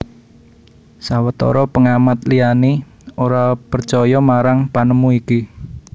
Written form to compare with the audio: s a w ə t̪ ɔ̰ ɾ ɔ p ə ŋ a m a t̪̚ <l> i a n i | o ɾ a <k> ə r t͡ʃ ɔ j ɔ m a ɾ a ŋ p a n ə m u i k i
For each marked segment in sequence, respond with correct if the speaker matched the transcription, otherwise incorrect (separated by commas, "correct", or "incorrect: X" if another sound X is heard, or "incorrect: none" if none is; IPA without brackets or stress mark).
correct, incorrect: p